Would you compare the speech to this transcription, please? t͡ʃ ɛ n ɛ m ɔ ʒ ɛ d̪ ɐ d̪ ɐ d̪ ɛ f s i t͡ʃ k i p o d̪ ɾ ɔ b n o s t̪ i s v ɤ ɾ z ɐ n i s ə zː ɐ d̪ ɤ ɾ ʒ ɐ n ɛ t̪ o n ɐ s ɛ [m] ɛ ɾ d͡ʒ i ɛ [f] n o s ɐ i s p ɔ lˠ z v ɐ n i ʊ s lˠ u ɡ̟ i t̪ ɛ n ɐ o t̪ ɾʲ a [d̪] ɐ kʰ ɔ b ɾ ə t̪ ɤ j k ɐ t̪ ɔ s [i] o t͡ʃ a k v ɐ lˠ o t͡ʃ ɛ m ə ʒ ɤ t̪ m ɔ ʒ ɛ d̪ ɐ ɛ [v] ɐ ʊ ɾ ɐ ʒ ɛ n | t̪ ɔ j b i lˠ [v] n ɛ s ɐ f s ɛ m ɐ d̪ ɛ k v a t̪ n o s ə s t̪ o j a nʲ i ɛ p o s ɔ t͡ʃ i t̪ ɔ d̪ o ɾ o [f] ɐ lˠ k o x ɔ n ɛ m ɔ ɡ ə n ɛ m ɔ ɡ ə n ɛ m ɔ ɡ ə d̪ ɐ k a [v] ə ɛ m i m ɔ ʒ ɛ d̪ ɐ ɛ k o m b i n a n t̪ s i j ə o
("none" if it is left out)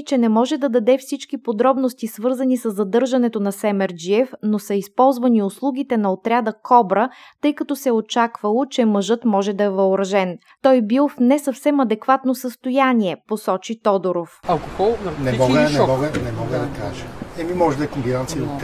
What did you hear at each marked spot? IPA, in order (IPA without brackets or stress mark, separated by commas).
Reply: m, f, d̪, ɛ, v, f, f, ʒ